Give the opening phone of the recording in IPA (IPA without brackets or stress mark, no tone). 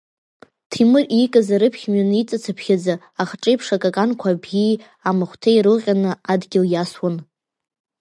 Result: tʰ